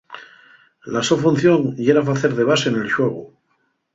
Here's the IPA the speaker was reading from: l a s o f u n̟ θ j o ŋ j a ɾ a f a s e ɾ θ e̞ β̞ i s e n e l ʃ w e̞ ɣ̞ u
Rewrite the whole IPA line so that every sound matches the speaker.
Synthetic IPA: l a s o f u n̟ θ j o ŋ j e ɾ a f a θ e ɾ ð e̞ β̞ a s e n e l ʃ w e̞ ɣ̞ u